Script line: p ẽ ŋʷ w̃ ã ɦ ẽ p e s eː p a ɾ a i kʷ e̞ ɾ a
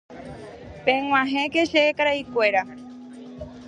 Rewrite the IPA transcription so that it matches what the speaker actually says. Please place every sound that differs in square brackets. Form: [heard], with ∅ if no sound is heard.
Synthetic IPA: p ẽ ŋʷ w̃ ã ɦ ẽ [k] e [ʃ] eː [k] a ɾ a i kʷ e̞ ɾ a